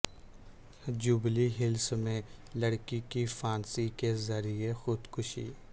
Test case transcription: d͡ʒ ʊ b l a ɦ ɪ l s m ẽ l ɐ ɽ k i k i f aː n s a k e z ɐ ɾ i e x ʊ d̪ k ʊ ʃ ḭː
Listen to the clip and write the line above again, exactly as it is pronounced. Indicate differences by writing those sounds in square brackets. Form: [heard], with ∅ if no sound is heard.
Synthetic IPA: d͡ʒ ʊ b l [i] ɦ ɪ l s m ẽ l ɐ ɽ k i k i f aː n s [i] k e z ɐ ɾ i e x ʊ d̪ k ʊ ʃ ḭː